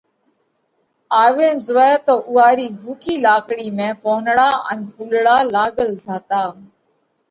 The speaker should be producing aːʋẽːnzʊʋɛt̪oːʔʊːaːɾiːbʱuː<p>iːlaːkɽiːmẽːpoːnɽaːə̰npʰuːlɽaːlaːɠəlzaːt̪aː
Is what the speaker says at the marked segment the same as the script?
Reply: no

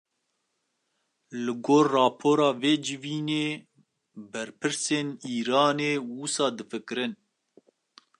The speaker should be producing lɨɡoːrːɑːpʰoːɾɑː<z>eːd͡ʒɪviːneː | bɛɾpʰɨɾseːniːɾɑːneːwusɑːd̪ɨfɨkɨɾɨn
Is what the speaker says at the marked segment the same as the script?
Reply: no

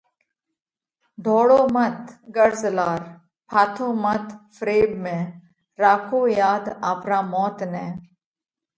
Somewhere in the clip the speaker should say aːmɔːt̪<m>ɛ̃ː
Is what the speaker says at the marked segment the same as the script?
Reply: no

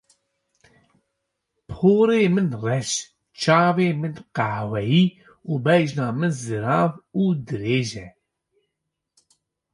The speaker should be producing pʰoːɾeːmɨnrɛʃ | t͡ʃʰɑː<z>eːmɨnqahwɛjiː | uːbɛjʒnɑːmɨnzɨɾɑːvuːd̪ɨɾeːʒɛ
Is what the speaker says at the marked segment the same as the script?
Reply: no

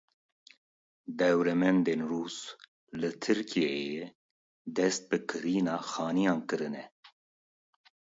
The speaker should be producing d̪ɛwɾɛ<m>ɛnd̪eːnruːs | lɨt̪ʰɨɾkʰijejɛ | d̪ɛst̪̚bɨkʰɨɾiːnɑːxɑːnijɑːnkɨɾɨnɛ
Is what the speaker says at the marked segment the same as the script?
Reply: yes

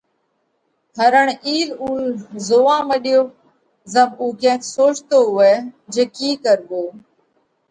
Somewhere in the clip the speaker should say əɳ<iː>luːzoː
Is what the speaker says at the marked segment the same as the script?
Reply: yes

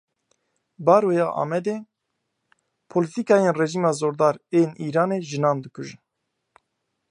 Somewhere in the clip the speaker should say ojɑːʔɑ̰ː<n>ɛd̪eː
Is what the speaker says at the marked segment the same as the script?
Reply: no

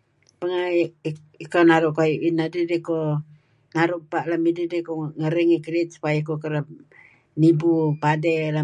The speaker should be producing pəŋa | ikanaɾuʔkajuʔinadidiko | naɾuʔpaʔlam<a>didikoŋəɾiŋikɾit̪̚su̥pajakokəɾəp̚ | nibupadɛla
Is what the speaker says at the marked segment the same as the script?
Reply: no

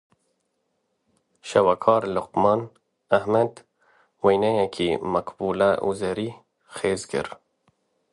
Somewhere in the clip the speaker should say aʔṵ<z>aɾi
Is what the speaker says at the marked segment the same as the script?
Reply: yes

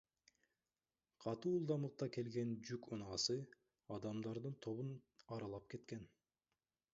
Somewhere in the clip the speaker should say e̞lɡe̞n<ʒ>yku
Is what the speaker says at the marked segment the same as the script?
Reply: no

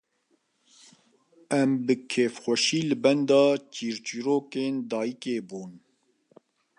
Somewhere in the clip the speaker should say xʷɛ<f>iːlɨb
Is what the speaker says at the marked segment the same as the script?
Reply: no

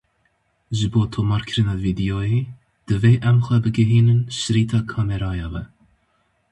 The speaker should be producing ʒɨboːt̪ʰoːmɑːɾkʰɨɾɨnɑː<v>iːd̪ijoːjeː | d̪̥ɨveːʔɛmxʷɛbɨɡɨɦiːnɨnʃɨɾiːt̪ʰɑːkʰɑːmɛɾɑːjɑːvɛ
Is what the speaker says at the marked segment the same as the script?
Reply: yes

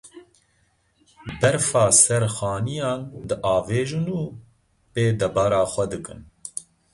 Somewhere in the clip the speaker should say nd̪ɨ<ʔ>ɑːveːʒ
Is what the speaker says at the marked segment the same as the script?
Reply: yes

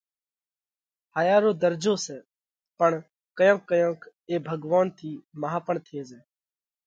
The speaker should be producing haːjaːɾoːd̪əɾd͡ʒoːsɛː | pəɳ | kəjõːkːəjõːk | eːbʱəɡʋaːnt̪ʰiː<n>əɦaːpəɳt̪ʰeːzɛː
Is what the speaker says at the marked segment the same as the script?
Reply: no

